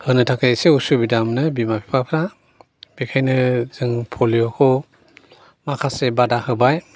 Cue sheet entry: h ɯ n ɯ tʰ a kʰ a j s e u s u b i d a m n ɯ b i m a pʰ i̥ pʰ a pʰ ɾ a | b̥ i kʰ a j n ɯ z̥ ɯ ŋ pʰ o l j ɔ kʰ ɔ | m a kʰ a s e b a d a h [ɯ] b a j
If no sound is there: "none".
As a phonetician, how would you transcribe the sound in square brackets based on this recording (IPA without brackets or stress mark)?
ɯ